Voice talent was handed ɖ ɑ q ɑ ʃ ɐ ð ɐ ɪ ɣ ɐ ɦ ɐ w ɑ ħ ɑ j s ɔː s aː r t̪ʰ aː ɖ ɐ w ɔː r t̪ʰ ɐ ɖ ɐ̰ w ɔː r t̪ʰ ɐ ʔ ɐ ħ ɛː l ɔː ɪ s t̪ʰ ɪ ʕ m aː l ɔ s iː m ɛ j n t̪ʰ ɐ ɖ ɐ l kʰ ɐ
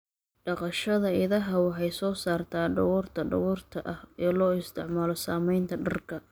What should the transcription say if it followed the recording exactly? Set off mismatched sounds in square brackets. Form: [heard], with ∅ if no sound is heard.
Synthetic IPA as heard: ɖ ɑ q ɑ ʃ ɐ ð ɐ ɪ [ð] ɐ ɦ ɐ w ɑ ħ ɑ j s ɔː s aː r t̪ʰ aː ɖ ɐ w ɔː r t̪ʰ ɐ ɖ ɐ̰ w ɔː r t̪ʰ ɐ ʔ ɐ [h] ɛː l ɔː ɪ s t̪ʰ ɪ ʕ m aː l ɔ s [aː] m ɛ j n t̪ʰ ɐ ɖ ɐ [r] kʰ ɐ